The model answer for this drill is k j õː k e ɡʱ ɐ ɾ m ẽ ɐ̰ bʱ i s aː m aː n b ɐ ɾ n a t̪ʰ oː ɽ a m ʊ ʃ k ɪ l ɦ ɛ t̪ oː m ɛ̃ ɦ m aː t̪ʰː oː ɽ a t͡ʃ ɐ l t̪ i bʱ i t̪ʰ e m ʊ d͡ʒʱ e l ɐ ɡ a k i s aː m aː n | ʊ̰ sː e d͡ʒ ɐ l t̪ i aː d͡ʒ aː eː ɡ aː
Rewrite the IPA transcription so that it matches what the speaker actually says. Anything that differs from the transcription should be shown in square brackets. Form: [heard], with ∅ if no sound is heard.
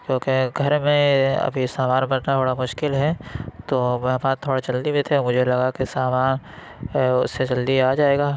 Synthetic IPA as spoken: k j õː k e ɡʱ ɐ ɾ m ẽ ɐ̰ bʱ i s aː m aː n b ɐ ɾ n a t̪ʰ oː ɽ a m ʊ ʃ k ɪ l ɦ ɛ t̪ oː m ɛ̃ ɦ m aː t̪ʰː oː ɽ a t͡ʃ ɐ l [d̪] i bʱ i t̪ʰ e m ʊ d͡ʒʱ e l ɐ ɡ a k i s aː m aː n | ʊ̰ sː e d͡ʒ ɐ l [d̪] i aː d͡ʒ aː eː ɡ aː